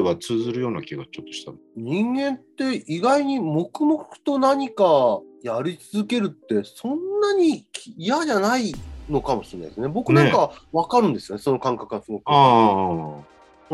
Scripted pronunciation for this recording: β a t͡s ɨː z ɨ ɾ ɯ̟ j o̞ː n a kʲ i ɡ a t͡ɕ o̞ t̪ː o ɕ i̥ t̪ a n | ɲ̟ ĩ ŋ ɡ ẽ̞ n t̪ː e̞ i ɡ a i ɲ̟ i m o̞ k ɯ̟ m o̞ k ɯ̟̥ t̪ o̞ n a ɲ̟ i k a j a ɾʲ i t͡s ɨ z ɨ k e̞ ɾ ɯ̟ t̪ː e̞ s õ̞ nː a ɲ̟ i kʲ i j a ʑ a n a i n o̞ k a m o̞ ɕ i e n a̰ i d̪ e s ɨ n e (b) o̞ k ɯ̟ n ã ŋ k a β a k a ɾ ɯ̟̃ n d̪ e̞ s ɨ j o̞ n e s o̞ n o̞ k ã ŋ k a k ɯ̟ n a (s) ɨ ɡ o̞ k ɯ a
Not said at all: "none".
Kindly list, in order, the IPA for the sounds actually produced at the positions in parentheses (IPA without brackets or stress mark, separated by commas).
b, s